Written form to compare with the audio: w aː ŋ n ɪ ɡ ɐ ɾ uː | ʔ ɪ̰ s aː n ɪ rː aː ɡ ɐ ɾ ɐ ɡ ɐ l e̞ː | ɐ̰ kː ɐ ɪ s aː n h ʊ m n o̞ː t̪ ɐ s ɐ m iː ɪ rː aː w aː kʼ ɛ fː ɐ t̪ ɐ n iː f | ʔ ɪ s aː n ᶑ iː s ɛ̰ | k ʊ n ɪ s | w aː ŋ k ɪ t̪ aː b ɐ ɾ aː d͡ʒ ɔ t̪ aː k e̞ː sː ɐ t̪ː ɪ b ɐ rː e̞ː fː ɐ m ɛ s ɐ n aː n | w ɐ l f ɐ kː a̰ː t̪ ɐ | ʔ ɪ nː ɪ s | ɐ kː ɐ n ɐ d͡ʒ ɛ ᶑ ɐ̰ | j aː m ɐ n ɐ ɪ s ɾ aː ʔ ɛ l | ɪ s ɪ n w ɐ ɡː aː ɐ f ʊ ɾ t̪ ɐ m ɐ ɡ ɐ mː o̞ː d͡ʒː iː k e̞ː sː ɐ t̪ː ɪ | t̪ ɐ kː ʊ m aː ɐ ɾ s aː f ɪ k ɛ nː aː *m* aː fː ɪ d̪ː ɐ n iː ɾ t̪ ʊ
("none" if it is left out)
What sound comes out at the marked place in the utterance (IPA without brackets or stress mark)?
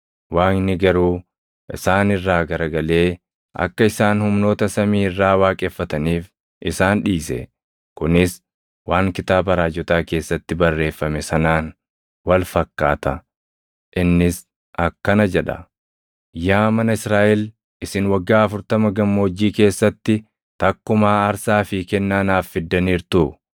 n